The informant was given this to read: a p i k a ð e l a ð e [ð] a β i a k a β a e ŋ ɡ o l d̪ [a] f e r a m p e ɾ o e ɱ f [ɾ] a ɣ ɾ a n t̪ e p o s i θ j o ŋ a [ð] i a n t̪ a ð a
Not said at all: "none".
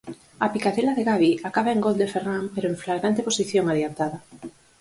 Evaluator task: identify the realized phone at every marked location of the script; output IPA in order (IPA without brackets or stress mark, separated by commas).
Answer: ɣ, e, l, ð